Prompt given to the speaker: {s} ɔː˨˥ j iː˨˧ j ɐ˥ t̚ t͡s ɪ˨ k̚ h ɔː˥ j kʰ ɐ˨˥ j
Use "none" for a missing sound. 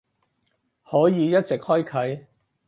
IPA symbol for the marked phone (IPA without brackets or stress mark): h